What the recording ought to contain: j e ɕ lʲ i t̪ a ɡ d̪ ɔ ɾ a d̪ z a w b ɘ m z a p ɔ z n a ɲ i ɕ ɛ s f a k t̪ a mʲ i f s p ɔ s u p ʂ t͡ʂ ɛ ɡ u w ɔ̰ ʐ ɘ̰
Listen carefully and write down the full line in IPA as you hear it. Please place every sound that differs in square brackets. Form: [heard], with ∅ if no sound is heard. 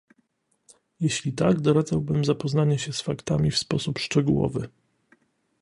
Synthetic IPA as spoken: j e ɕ lʲ i t̪ a ɡ d̪ ɔ ɾ a d̪ z a w b ɘ m z a p ɔ z n a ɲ [ɛ] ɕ ɛ s f a k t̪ a mʲ i f s p ɔ s u p ʂ t͡ʂ ɛ ɡ u w ɔ̰ [v] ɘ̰